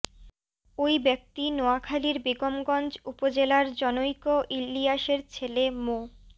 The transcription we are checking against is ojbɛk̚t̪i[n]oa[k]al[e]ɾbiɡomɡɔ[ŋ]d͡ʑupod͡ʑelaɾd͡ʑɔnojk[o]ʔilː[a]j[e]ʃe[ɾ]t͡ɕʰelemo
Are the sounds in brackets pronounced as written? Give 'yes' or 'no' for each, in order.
yes, no, no, no, yes, no, no, yes

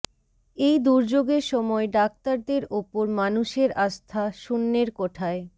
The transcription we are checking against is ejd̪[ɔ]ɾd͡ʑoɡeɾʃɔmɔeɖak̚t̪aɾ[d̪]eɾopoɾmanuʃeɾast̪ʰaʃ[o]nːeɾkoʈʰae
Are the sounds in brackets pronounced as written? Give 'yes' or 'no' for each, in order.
no, yes, no

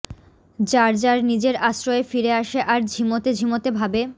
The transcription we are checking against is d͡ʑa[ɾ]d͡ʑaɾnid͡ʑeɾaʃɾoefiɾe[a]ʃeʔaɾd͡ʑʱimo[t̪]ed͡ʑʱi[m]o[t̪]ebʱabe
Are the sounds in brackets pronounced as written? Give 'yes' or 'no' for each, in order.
yes, yes, yes, yes, yes

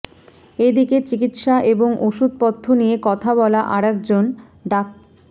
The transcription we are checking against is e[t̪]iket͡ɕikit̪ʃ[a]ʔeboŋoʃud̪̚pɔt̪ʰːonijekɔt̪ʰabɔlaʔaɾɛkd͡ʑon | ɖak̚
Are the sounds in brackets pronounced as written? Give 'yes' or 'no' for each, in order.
no, yes

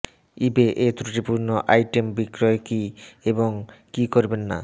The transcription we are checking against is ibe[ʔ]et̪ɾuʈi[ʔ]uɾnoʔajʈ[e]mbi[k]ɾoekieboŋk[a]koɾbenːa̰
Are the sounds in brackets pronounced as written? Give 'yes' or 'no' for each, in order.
yes, no, yes, yes, no

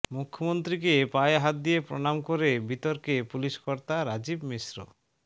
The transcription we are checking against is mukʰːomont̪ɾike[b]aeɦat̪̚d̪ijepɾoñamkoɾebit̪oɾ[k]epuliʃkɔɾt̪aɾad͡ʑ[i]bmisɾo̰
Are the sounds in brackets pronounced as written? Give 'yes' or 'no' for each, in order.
no, yes, yes

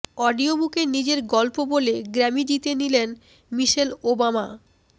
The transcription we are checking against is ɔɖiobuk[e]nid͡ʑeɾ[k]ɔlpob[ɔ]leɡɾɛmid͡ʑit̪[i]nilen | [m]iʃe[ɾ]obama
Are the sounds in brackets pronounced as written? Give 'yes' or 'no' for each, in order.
yes, no, no, no, yes, no

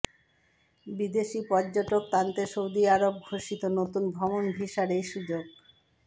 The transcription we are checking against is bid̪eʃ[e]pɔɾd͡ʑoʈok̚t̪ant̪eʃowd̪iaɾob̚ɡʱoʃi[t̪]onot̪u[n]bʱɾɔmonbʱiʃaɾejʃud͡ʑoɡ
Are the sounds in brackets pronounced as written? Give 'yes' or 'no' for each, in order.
no, yes, yes

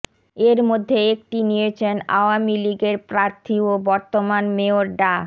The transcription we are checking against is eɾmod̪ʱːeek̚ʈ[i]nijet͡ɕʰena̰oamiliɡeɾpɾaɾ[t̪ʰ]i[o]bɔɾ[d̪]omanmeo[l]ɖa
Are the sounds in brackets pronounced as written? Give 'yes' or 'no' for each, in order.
yes, yes, yes, no, no

